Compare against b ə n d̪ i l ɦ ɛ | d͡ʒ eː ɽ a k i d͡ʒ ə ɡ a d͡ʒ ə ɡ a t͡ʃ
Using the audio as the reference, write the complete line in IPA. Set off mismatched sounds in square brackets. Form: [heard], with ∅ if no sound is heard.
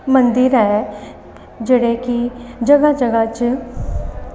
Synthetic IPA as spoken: [m] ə n d̪ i [ɾ] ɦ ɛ | d͡ʒ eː ɽ [e] k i d͡ʒ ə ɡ a d͡ʒ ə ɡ a t͡ʃ